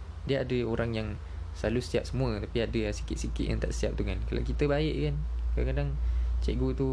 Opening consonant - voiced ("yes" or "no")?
yes